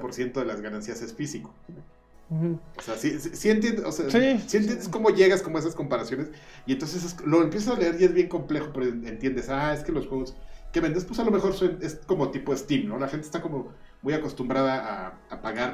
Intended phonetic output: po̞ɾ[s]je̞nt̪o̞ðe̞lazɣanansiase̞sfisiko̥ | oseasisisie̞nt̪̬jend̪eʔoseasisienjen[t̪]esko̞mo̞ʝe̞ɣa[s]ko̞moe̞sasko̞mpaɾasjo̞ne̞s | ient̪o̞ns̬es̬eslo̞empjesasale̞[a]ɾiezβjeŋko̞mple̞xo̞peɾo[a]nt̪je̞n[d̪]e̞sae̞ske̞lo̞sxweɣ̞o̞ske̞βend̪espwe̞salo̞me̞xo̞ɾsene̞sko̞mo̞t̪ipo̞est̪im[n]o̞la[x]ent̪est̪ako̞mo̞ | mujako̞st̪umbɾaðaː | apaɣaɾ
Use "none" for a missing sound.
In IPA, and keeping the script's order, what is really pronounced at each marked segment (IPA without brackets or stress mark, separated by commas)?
s, d̪, s, e, e, d̪, n, x